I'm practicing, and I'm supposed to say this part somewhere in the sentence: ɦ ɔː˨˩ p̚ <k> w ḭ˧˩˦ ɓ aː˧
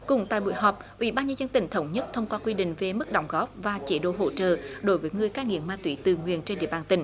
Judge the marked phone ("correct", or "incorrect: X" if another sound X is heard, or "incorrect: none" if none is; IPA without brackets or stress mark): incorrect: ʔ